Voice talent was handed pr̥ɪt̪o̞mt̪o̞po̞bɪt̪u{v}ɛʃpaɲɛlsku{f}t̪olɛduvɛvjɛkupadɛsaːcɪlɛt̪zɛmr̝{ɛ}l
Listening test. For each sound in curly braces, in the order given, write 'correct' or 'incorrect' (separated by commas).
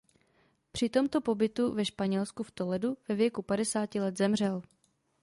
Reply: correct, correct, correct